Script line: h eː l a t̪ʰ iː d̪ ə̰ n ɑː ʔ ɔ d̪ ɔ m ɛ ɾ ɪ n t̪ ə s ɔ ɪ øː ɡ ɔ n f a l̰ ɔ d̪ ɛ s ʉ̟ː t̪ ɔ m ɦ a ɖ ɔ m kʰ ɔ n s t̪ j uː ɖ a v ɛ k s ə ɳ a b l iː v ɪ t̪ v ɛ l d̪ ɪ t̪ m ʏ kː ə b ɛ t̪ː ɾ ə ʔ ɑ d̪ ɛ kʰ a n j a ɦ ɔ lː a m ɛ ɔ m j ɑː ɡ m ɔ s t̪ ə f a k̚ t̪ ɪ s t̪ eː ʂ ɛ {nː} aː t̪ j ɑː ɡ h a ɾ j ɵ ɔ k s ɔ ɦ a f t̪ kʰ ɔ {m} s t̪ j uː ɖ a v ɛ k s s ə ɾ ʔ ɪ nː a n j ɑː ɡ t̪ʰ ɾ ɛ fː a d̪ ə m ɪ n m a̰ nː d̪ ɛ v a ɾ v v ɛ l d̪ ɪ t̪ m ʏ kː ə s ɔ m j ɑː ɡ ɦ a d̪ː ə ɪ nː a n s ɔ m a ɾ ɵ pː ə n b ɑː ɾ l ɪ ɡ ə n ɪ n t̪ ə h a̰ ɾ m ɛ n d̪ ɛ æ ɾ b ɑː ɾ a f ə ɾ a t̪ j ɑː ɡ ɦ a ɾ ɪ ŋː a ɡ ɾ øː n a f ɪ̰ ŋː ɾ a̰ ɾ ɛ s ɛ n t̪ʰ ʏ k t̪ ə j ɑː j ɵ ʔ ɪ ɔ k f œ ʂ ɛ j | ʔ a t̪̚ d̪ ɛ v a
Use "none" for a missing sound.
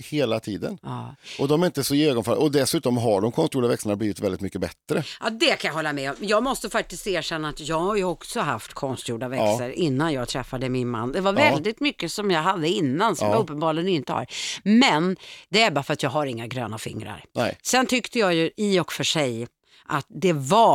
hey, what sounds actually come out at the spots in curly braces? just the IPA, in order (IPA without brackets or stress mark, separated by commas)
nː, n